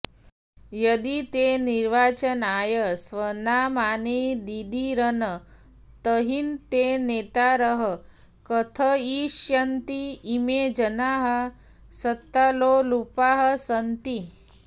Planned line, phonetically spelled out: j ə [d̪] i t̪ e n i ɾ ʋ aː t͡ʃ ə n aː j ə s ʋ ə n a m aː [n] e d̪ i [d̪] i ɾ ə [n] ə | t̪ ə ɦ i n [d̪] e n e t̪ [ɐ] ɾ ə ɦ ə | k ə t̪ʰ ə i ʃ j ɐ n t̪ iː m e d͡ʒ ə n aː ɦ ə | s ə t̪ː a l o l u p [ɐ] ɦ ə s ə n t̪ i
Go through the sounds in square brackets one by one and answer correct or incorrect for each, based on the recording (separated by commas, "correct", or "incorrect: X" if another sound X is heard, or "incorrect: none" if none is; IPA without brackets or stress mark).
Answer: correct, correct, correct, correct, incorrect: t̪, incorrect: a, incorrect: a